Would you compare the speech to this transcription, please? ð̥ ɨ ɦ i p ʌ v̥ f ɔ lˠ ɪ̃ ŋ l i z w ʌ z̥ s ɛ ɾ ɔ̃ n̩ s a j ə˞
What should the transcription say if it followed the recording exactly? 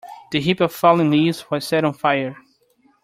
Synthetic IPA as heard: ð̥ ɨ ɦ i p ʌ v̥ f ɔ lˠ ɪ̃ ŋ l i z w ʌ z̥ s ɛ ɾ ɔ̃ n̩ f a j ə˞